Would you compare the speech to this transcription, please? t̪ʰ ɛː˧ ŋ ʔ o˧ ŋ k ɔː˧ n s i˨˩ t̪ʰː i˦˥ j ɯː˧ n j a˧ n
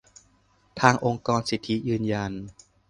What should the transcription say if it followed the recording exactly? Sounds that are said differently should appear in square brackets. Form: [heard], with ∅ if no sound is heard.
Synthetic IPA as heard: t̪ʰ [aː˧] ŋ ʔ o˧ ŋ k ɔː˧ n s i˨˩ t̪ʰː i˦˥ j ɯː˧ n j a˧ n